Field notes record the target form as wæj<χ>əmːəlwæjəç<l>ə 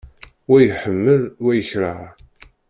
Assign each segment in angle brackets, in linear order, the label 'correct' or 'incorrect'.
incorrect: ħ, incorrect: ɾ

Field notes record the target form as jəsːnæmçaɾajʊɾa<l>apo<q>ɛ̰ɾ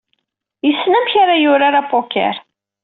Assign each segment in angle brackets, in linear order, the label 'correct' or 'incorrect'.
incorrect: ɾ, incorrect: k

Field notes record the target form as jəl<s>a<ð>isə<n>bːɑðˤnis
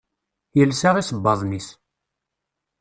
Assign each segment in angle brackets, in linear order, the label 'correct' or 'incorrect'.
correct, incorrect: ʁ, incorrect: none

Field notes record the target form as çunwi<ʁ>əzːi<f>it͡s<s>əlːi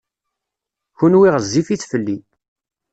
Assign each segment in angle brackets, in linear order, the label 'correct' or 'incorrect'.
correct, correct, incorrect: f

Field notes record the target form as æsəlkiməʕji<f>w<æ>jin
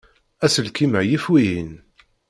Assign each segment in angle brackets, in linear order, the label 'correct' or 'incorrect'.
correct, incorrect: i

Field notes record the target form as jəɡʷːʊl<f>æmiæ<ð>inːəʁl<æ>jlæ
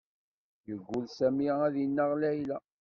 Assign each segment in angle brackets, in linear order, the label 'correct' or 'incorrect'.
incorrect: s, correct, correct

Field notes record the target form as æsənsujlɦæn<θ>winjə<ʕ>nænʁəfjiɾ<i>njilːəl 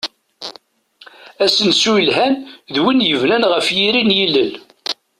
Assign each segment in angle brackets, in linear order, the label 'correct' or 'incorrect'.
incorrect: ð, incorrect: v, correct

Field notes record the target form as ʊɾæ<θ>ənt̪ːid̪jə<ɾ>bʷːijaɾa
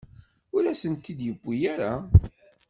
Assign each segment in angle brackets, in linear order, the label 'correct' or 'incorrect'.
incorrect: s, incorrect: none

